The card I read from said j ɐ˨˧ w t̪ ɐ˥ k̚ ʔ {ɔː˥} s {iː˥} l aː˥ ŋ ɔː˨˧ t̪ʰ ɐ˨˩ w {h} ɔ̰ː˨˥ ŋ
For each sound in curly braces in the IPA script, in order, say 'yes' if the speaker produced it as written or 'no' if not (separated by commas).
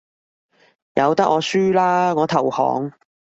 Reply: no, no, yes